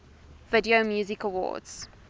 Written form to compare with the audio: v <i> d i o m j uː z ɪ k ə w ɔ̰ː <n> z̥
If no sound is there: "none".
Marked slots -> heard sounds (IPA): ɪ, d

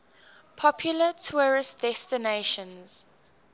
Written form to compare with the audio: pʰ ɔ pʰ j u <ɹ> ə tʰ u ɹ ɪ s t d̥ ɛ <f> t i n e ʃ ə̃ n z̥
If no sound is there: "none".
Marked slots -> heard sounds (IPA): l, s

